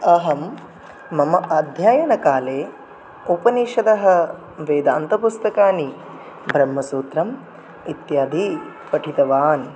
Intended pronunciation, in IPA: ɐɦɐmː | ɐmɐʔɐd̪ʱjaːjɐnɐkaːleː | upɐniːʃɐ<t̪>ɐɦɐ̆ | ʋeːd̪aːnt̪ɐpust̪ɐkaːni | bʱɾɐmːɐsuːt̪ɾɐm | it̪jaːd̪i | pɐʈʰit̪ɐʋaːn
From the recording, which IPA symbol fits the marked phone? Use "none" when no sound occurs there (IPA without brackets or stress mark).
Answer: d̪